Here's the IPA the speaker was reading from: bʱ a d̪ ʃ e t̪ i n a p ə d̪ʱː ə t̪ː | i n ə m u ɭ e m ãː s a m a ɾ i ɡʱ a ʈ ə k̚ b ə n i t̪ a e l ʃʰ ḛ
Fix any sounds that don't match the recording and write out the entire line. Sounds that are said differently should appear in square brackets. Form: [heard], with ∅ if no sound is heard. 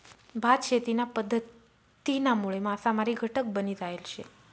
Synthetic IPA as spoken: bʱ a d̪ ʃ e t̪ i n a p ə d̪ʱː ə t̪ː | i n [a] m u ɭ e m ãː s a m a ɾ i ɡʱ [ə] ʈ ə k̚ b ə n i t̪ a e l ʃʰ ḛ